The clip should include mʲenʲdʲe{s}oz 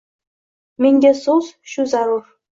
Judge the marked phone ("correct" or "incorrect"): correct